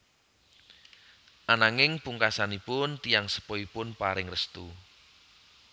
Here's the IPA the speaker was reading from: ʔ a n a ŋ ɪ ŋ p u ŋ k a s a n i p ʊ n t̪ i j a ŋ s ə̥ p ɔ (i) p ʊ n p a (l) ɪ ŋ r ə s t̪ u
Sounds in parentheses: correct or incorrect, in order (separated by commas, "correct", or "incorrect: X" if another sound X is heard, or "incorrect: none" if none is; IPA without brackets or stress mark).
correct, incorrect: ɾ